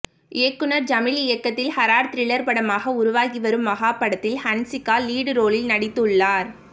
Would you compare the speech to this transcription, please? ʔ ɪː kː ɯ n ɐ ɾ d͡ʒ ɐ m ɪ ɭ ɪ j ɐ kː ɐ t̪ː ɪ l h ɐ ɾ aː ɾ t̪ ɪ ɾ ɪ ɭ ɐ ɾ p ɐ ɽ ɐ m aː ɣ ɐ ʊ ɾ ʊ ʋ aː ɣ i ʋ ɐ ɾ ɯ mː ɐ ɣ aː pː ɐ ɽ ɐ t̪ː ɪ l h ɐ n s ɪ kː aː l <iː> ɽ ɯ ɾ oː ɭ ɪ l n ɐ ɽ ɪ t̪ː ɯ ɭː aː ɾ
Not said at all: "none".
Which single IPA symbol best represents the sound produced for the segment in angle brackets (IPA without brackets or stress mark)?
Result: iː